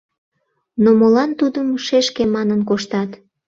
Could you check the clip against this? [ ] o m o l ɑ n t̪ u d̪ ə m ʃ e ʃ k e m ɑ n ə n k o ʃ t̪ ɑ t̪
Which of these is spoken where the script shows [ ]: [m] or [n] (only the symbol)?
n